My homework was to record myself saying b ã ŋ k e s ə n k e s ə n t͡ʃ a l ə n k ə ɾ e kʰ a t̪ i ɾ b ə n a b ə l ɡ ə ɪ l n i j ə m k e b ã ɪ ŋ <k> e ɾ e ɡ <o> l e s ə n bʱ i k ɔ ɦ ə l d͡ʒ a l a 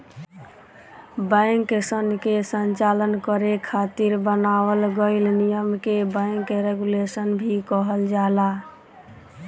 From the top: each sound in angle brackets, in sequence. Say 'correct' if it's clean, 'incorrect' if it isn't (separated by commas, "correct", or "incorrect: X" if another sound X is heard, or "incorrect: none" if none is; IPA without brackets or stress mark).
correct, incorrect: u